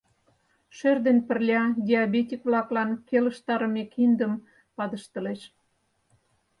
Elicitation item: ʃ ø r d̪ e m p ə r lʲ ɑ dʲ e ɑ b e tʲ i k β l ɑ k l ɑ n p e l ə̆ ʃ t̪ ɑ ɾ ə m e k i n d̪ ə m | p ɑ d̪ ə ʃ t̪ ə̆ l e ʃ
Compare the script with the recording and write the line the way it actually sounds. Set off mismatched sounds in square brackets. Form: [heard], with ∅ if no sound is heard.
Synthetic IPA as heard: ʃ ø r d̪ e [n] p ə r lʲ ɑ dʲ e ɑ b e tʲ i k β l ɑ k l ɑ n [k] e l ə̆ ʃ t̪ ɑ ɾ ə m e k i n d̪ ə m | p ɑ d̪ ə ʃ t̪ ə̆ l e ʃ